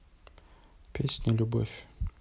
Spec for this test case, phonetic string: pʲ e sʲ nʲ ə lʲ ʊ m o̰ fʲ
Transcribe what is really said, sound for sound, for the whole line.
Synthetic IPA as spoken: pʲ e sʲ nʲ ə lʲ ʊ b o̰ fʲ